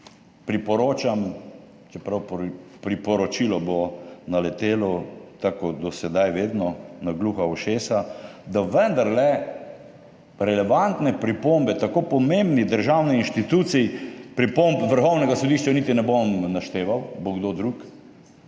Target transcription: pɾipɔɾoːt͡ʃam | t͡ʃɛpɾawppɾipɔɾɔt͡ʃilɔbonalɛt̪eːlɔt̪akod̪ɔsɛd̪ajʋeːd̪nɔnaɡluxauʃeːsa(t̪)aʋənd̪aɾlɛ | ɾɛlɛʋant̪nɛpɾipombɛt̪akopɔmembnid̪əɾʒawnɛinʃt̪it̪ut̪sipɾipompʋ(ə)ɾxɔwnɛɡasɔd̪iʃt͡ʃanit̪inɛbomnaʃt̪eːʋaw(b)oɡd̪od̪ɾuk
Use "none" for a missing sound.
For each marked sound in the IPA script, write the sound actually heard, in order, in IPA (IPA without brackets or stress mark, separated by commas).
d̪, ə, b